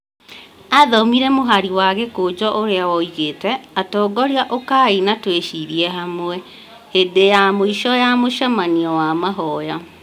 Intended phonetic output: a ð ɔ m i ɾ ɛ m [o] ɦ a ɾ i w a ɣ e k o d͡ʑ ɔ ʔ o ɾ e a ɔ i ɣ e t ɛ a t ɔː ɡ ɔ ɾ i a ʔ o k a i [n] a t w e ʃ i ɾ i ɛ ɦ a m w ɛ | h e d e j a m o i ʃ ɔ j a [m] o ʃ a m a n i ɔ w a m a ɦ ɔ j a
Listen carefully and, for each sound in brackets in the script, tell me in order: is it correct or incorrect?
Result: correct, correct, correct

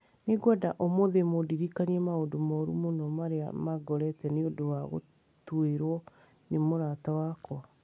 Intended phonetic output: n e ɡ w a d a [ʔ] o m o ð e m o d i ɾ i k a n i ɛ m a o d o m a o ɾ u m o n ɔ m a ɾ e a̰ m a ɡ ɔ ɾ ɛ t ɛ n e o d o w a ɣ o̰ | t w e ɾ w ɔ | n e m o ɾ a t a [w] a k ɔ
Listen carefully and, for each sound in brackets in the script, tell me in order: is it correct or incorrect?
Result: correct, correct

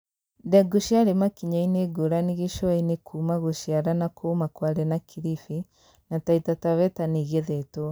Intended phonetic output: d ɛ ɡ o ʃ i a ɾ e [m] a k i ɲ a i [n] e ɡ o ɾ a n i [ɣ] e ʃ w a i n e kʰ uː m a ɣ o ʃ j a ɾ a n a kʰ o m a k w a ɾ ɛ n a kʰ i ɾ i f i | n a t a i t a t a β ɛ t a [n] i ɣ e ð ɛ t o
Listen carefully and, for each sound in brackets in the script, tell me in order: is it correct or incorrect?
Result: correct, correct, correct, correct

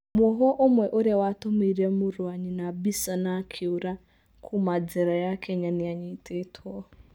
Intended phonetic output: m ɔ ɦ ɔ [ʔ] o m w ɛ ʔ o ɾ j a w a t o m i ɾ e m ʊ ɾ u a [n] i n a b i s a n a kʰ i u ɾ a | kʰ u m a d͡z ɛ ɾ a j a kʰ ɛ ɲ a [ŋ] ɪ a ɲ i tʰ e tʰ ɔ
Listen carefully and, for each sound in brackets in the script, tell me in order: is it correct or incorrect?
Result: correct, incorrect: ɲ, incorrect: n

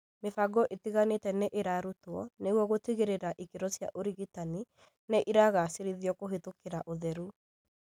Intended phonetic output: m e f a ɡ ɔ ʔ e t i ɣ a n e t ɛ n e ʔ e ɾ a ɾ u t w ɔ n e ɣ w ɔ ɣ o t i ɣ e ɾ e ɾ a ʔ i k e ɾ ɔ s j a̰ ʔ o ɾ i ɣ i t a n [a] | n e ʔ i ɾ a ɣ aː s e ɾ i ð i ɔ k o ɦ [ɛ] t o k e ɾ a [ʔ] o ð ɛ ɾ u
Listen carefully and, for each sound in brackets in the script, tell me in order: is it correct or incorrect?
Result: incorrect: i, incorrect: e, correct

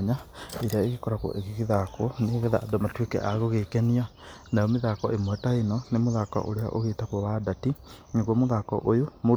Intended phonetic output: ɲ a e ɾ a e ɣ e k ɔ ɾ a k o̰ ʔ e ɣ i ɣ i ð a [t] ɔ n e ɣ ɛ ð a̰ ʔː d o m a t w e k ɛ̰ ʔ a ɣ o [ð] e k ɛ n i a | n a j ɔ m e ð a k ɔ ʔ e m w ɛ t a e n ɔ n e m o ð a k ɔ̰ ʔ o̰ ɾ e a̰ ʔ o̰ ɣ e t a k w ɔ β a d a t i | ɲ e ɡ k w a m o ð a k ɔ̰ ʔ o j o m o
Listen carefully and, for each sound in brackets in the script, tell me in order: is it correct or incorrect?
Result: incorrect: k, incorrect: ɣ

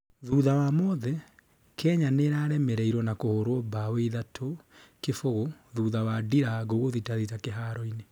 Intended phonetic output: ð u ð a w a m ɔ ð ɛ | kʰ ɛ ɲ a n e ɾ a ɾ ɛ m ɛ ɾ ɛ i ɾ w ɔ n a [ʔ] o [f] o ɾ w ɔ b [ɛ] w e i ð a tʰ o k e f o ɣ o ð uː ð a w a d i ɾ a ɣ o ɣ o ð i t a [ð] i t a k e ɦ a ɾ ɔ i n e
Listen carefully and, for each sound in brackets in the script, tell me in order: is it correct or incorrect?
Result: incorrect: k, incorrect: h, incorrect: a, correct

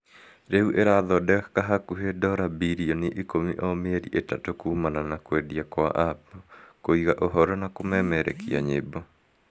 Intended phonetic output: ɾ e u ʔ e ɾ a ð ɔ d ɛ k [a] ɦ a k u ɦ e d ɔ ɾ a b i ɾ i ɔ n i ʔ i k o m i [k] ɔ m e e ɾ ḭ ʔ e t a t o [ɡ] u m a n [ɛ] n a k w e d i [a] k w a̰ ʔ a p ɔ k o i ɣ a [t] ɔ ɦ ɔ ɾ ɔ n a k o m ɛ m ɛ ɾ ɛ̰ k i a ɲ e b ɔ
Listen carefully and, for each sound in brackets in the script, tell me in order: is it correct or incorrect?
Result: correct, incorrect: ʔ, incorrect: k, incorrect: a, correct, incorrect: ʔ

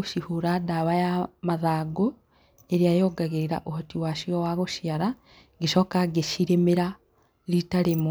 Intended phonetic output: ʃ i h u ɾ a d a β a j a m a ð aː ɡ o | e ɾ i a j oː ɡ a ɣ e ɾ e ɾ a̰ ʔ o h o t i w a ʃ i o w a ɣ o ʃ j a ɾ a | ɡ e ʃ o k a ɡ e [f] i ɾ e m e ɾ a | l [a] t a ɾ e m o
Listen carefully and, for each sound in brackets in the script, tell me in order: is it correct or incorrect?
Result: incorrect: ʃ, incorrect: i

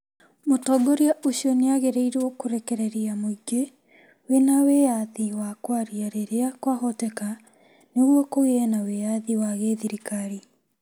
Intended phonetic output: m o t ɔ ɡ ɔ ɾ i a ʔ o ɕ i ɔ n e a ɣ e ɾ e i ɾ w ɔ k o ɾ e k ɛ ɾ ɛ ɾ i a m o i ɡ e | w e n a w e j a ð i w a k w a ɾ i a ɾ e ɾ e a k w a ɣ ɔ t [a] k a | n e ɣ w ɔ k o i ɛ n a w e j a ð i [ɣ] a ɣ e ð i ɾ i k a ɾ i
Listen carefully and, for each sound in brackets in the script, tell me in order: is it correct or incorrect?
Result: incorrect: ɛ, incorrect: w

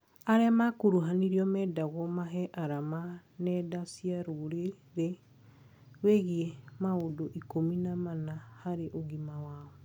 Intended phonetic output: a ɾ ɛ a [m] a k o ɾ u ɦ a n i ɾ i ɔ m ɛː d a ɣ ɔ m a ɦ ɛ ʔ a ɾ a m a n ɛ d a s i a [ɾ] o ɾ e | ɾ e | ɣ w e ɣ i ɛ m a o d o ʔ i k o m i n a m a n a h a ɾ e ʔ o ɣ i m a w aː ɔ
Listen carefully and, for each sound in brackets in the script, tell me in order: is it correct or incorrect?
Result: correct, correct

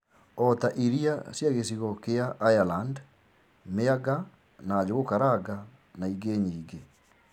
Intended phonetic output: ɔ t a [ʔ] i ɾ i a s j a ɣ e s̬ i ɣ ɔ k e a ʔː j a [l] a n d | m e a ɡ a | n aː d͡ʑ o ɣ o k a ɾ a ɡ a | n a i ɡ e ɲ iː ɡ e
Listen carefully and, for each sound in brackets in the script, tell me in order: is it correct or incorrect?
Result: correct, correct

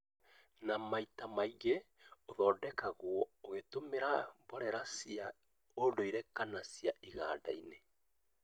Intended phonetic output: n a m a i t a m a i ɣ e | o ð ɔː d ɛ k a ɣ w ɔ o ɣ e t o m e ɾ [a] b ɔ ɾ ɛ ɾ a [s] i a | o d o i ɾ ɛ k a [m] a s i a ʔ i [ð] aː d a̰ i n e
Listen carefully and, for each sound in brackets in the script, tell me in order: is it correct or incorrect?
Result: correct, correct, incorrect: n, incorrect: ɣ

